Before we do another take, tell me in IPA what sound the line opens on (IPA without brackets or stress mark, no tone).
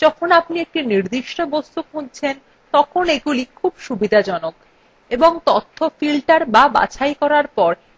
d͡ʑ